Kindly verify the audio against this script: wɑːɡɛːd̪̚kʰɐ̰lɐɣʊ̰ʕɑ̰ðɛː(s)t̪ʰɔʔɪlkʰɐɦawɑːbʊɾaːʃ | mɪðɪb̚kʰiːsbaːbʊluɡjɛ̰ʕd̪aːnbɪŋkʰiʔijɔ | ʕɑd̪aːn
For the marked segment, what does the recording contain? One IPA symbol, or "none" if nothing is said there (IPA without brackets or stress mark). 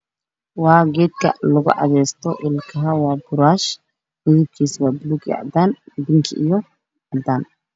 s